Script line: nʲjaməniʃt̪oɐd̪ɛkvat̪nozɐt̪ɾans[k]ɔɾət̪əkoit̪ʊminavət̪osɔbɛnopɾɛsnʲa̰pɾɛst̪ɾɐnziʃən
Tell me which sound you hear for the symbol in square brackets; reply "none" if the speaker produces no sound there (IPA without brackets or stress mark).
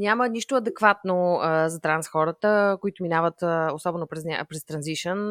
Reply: x